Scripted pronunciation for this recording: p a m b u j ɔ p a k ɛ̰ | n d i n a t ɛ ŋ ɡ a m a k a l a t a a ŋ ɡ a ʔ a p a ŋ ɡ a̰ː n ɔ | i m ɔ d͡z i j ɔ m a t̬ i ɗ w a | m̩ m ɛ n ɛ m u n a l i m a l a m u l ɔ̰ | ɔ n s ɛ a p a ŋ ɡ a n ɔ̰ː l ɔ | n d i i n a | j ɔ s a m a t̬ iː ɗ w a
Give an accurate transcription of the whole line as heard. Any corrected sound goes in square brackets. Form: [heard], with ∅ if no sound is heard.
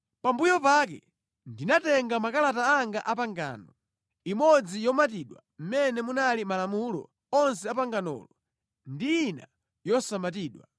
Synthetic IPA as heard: p a m b u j ɔ p a k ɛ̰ | n d i n a t ɛ ŋ ɡ a m a k a l a t a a ŋ ɡ a ʔ a p a ŋ ɡ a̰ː n ɔ | i m ɔ d͡z i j ɔ m a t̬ i ɗ w a | m̩ m ɛ n ɛ m u n a l i m a l a m u l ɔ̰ | ɔ n s ɛ a p a ŋ ɡ a n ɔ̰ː l ɔ | n d i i n a | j ɔ s a m a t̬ iː ɗ w a